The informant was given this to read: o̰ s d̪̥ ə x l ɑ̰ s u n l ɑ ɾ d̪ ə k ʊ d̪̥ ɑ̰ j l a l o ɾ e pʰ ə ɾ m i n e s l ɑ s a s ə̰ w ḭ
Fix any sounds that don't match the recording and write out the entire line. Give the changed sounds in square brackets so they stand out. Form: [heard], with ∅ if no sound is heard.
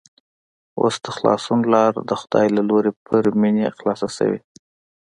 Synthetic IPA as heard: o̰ s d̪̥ ə x l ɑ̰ s u n l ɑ ɾ d̪ ə [x] ʊ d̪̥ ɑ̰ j l a l o ɾ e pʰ ə ɾ m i n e [x] l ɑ s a s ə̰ w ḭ